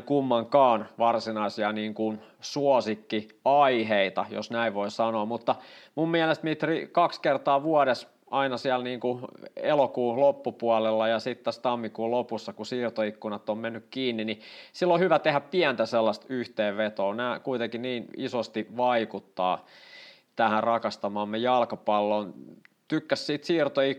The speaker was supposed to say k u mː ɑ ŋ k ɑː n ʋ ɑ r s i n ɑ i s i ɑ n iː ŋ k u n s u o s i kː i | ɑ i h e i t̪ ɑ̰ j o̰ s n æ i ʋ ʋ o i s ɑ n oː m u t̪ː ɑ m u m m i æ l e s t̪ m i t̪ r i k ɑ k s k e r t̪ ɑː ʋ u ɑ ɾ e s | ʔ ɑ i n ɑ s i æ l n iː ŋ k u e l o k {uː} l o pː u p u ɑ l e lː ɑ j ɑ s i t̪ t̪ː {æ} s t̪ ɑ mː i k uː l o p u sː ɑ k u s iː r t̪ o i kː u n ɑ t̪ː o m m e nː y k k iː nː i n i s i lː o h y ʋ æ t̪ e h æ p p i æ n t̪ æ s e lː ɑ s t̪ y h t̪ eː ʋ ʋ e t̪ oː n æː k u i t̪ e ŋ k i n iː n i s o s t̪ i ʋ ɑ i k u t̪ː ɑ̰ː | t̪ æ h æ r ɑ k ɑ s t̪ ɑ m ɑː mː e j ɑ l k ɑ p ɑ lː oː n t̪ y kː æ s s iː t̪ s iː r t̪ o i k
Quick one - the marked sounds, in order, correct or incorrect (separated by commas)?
correct, correct